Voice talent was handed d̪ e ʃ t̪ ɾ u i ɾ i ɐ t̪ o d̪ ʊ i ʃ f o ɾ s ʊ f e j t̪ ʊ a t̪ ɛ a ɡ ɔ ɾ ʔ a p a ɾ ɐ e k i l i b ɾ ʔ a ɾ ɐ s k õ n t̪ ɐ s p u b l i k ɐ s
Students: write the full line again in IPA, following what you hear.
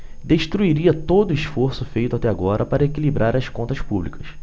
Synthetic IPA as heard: d̪ e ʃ t̪ ɾ u i ɾ i ɐ t̪ o d̪ ʊ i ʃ f o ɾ s ʊ f e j t̪ ʊ a t̪ ɛ a ɡ ɔ ɾ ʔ ɐ p a ɾ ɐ e k i l i b ɾ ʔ a ɾ ɐ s k õ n t̪ ɐ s p u b l i k ɐ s